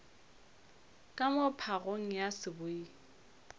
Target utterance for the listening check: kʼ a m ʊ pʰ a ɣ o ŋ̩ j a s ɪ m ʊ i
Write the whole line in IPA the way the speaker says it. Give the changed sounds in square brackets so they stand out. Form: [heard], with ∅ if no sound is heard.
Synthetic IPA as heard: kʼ a m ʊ pʰ a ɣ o ŋ̩ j a s ɪ [b] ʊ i